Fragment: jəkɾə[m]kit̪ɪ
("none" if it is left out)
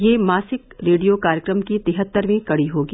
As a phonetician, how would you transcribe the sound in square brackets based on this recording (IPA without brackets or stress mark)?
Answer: m